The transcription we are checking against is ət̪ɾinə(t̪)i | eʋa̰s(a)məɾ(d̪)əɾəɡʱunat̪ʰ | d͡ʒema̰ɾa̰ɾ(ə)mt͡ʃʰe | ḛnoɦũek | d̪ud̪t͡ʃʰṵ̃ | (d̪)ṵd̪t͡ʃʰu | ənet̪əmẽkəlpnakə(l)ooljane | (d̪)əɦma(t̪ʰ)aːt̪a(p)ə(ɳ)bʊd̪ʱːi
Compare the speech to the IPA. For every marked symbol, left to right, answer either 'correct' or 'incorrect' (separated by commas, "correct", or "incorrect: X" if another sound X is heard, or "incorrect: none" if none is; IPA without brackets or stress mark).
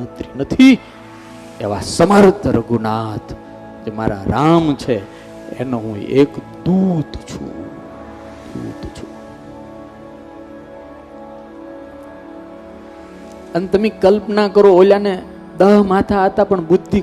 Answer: incorrect: t̪ʰ, incorrect: ə, incorrect: t̪, incorrect: a, correct, incorrect: ɾ, correct, correct, correct, correct